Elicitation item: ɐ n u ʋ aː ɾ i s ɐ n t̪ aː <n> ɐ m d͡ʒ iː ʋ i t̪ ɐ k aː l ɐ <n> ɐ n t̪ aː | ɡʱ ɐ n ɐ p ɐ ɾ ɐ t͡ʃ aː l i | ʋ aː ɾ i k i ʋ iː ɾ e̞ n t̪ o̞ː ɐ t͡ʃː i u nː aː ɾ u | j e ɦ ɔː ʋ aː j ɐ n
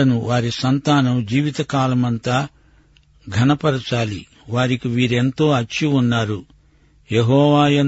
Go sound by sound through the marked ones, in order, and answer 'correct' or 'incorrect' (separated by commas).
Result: correct, incorrect